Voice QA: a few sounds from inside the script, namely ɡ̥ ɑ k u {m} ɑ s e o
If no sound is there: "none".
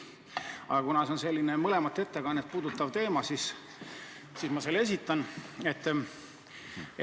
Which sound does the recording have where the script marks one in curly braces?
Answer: n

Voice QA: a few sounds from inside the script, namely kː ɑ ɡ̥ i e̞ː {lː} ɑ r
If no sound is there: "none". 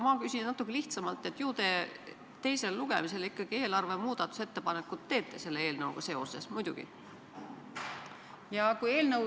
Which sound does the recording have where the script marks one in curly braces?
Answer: l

